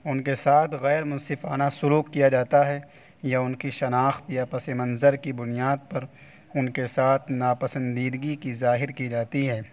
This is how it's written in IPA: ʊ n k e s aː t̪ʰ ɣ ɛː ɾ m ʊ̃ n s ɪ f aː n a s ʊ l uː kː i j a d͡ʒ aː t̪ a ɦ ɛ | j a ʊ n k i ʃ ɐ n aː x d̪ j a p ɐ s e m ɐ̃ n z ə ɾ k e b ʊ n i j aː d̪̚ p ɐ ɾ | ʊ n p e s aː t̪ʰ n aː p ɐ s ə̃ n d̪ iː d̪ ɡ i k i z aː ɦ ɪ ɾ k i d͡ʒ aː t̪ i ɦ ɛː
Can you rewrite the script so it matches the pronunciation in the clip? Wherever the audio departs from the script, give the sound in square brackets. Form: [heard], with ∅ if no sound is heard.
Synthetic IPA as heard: ʊ n k e s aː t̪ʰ ɣ ɛː ɾ m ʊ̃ n s ɪ f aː n a s ʊ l uː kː i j a d͡ʒ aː t̪ a ɦ ɛ | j a ʊ n k i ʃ ɐ n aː x [t̪] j a p ɐ s e m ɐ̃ n z ə ɾ k [i] b ʊ n i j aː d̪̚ p ɐ ɾ | ʊ n [k] e s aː t̪ʰ n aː p ɐ s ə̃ n d̪ iː d̪ ɡ i k i z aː ɦ ɪ ɾ k i d͡ʒ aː t̪ i ɦ ɛː